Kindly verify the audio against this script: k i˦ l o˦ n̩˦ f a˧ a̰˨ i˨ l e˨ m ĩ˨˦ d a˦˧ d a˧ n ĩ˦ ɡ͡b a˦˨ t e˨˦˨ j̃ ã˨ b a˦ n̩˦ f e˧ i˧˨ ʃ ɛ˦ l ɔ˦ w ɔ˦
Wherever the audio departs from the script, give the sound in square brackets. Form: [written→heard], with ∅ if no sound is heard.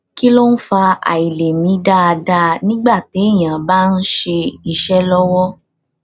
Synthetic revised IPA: k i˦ l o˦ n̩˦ f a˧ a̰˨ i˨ l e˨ m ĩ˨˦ d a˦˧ d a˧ n ĩ˦ ɡ͡b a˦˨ t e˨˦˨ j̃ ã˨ b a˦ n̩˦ [f→ʃ] e˧ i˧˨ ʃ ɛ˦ l ɔ˦ w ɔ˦